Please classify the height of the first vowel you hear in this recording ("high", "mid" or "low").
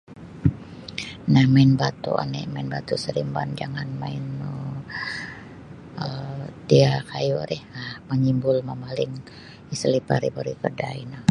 low